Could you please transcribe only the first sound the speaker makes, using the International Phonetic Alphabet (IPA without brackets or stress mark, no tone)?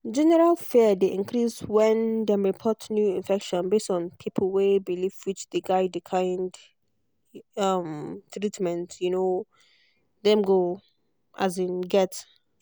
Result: d͡ʒ